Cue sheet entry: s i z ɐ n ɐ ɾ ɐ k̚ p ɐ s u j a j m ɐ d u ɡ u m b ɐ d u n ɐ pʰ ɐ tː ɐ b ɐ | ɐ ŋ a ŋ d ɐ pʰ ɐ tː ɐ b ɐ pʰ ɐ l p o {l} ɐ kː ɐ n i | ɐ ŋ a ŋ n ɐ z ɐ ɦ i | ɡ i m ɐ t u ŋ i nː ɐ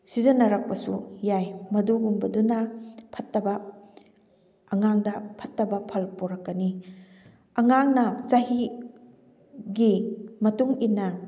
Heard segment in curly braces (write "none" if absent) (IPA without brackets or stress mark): ɾ